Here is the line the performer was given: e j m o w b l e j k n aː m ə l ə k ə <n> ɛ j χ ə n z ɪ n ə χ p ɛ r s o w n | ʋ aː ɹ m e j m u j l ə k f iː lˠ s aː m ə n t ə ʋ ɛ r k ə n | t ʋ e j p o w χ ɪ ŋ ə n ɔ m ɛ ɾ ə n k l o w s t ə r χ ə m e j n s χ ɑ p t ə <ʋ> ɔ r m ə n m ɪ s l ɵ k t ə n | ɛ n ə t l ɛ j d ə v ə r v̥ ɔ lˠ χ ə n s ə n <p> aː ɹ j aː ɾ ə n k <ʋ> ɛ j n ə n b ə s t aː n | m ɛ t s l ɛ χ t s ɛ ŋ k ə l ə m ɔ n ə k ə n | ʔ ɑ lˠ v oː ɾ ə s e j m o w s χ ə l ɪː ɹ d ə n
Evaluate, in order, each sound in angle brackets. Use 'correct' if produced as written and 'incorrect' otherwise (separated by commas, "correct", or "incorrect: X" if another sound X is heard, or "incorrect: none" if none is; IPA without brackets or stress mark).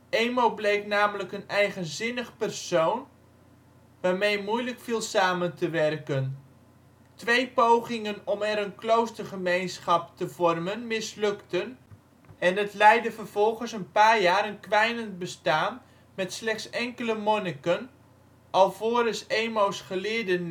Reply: correct, incorrect: v, correct, correct